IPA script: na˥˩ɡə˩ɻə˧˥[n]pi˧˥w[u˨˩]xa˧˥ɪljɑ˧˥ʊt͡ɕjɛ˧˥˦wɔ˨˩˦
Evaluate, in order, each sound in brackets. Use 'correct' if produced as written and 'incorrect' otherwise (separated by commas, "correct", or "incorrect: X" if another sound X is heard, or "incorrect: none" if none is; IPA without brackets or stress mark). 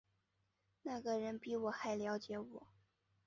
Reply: correct, incorrect: ɔ˨˩